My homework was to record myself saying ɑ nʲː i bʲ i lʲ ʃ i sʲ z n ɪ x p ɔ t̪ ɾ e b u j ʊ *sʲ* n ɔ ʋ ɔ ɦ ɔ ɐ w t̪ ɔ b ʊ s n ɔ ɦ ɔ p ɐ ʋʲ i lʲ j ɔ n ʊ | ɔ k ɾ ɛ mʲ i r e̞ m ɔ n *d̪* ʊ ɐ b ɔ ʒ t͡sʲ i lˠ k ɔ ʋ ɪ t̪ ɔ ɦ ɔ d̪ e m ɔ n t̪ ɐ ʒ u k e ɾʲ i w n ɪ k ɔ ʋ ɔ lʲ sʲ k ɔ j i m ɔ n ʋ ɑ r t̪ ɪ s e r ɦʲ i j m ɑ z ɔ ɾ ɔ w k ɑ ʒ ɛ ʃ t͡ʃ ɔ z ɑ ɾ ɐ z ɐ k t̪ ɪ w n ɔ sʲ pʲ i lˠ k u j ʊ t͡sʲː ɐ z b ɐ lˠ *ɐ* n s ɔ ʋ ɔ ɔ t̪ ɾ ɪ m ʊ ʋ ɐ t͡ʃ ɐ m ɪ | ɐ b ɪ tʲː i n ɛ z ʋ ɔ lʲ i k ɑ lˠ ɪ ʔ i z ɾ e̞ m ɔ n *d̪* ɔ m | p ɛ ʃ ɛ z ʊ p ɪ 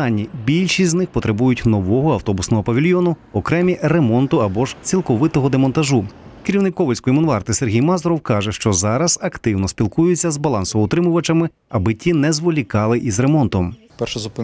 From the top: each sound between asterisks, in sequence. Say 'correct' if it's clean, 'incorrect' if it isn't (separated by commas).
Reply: incorrect, incorrect, incorrect, incorrect